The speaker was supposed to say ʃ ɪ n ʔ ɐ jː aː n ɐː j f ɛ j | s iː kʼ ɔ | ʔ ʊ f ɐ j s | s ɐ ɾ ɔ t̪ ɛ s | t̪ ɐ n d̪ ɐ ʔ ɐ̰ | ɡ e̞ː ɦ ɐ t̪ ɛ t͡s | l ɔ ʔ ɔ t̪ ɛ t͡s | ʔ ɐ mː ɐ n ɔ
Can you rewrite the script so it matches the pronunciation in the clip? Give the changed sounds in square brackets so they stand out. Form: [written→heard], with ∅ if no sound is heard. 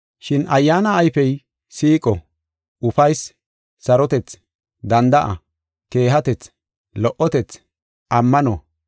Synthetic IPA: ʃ ɪ n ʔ ɐ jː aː n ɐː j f ɛ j | s iː kʼ ɔ | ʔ ʊ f ɐ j s | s ɐ ɾ ɔ t̪ ɛ [s→t͡s] | [t̪→d̪] ɐ n d̪ ɐ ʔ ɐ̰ | [ɡ→k] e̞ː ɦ ɐ t̪ ɛ t͡s | l ɔ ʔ ɔ t̪ ɛ t͡s | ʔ ɐ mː ɐ n ɔ